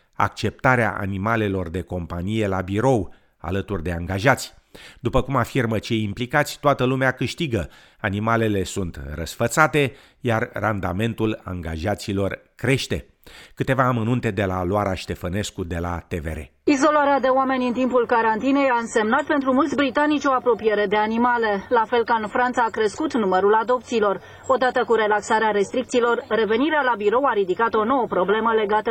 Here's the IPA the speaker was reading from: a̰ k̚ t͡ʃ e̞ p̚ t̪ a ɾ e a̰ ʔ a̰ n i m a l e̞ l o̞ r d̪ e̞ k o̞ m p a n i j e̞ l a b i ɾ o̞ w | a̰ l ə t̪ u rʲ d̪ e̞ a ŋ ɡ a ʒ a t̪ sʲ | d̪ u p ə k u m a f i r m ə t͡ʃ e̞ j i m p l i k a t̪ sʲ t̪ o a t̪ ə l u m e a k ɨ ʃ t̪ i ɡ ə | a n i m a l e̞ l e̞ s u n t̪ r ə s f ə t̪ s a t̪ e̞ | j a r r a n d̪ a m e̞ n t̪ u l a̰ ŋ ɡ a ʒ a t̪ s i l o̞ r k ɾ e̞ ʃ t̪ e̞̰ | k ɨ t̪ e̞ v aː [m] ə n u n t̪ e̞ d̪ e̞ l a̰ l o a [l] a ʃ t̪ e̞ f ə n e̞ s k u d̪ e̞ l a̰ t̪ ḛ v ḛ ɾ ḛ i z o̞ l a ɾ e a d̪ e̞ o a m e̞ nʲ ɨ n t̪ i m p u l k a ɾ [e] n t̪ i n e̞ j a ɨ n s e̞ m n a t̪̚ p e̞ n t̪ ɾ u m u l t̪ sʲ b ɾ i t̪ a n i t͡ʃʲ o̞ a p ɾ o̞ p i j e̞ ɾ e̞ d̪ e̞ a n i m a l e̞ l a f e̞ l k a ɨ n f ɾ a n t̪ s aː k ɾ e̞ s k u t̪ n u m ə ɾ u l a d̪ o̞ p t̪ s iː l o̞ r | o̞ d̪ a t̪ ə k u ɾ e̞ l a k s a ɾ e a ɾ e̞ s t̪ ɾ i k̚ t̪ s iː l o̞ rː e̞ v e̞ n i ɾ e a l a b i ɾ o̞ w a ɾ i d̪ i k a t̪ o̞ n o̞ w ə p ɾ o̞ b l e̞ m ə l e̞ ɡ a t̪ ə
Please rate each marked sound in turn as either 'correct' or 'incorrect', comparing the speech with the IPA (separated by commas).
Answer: correct, incorrect, incorrect